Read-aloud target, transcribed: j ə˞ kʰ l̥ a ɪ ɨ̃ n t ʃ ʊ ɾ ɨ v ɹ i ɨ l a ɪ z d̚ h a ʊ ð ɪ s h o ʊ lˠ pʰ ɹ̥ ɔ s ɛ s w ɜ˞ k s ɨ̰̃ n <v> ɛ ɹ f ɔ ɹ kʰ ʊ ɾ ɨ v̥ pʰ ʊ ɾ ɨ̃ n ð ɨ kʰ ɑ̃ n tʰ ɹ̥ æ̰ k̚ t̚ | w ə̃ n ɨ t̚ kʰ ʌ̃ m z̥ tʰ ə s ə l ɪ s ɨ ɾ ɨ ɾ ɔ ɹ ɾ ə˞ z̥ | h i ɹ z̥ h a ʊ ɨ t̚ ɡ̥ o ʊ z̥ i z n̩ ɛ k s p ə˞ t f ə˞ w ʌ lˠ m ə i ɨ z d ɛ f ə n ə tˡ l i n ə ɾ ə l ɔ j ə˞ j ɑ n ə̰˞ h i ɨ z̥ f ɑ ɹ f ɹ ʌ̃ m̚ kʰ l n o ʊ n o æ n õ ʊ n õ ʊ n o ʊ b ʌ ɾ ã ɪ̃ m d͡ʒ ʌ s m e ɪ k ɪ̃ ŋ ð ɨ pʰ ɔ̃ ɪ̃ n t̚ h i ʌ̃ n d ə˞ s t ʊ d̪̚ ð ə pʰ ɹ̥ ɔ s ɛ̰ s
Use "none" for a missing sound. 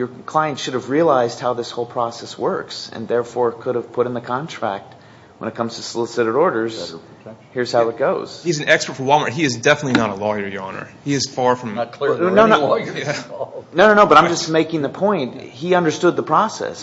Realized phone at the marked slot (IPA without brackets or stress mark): ð